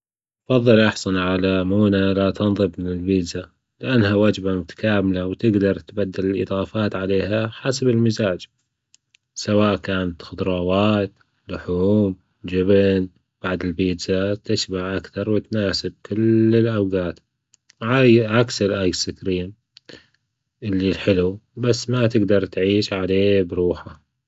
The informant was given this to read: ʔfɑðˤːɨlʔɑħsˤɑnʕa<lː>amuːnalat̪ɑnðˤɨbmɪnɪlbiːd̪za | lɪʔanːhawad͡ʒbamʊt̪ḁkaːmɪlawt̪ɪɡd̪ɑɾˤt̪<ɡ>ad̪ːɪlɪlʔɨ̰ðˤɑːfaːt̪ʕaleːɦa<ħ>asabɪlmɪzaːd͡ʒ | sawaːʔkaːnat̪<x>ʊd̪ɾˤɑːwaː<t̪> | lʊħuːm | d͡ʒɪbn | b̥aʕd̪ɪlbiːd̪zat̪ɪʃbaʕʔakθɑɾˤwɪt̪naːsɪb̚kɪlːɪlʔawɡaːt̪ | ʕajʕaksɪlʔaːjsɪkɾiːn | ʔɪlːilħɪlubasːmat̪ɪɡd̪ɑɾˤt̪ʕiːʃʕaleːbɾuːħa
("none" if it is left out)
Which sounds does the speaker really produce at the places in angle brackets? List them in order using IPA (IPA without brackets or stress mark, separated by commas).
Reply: l, b, ħ, x, t̪